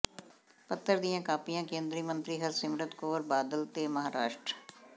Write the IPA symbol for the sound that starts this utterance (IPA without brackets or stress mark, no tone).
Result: p